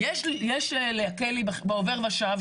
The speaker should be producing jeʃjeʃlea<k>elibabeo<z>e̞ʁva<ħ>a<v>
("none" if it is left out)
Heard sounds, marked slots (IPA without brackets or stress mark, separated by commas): k, v, ʃ, v